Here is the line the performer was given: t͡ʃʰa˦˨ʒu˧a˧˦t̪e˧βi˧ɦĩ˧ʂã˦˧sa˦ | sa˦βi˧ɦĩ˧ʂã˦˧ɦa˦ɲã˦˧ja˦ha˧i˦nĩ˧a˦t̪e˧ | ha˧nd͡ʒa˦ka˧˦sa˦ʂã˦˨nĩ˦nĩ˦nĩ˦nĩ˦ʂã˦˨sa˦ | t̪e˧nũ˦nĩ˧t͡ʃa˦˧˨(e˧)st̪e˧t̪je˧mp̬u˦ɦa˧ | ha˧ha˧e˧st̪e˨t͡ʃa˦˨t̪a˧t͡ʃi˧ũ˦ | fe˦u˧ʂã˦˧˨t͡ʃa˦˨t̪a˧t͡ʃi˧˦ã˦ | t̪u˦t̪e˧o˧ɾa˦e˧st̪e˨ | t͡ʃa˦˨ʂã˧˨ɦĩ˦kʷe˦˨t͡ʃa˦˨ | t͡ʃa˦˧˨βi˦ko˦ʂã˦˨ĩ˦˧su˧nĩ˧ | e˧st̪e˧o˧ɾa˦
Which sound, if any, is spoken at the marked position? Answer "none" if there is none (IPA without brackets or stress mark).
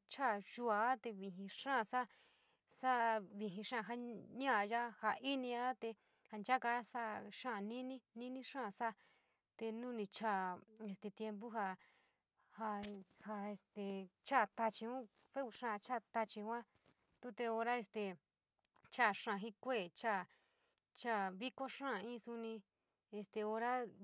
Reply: e˧